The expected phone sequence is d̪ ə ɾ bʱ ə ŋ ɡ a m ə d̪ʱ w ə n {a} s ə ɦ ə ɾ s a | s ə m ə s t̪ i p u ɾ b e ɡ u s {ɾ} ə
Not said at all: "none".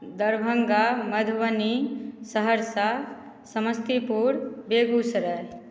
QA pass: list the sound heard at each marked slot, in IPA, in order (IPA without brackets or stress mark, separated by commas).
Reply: i, ɾ